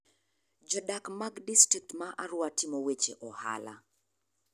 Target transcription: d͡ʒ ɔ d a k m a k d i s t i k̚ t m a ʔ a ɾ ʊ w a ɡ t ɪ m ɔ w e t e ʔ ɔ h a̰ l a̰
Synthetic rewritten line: d͡ʒ ɔ d a k m a ɡ d i s t i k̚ t m a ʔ a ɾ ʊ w a t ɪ m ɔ w e t͡ʃ e ʔ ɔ h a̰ l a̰